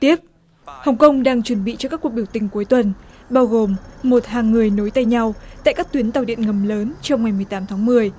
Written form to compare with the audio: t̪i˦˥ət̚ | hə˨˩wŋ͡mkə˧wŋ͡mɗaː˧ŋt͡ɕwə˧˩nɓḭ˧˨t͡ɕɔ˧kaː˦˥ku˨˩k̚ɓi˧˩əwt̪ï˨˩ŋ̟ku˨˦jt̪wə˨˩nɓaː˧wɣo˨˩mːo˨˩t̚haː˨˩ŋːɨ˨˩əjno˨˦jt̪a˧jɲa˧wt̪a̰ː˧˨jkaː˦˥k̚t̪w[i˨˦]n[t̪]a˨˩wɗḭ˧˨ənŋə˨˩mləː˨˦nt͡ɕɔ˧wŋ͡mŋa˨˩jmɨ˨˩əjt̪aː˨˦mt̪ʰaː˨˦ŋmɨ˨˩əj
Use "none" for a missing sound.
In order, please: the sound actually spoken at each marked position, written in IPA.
i˨˦, t̪

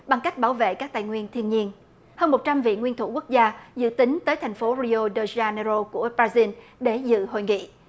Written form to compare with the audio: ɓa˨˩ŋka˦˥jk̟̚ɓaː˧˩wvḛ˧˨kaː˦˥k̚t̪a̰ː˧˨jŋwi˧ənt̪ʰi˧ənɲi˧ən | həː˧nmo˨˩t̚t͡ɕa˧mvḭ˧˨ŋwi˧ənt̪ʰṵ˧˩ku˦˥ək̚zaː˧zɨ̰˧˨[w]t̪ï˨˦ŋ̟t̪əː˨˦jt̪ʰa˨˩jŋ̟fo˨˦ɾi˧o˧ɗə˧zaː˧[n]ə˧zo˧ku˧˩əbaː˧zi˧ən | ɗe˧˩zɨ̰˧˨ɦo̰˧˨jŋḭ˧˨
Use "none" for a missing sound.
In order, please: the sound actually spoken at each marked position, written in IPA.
none, n

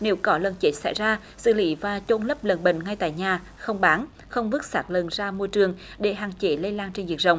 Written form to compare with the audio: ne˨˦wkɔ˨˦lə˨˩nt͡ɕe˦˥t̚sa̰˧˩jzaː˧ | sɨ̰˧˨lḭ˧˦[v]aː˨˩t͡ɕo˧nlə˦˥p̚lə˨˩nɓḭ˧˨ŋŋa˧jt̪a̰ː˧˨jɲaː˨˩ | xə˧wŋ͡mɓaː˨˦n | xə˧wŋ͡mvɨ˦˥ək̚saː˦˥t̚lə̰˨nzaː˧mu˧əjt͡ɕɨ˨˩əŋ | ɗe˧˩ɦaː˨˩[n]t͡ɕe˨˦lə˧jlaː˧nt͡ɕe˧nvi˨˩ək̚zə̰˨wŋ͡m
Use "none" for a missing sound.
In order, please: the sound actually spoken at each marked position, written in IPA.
v, ŋ

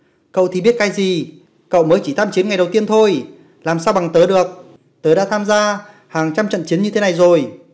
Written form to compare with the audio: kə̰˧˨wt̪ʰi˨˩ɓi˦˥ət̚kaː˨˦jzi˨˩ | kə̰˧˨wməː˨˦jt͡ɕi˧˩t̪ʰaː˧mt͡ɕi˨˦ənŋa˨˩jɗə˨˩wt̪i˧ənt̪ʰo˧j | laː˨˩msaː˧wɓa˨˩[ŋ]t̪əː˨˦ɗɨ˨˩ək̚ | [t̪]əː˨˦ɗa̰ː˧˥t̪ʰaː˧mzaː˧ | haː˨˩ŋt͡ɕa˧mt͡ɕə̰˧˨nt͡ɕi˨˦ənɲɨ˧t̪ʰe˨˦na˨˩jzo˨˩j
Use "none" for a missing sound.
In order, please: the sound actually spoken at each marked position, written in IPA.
ŋ, t̪

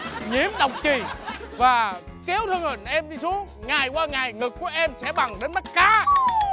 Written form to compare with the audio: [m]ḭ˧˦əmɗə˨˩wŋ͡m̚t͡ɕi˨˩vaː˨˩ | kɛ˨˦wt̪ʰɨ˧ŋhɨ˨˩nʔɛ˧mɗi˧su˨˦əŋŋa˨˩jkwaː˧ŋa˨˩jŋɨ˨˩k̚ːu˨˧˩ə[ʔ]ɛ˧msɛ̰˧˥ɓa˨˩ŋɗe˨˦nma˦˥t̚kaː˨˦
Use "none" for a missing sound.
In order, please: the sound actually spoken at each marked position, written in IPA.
ɲ, ʔ

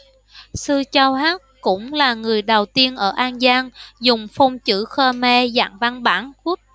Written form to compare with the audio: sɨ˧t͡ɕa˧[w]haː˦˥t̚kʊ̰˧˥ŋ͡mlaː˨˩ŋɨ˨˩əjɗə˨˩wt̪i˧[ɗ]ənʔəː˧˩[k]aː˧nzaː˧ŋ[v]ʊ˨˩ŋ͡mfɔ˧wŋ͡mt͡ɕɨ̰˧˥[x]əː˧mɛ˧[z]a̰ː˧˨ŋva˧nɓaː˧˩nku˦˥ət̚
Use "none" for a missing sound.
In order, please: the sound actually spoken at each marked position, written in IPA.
w, none, ʔ, z, x, z

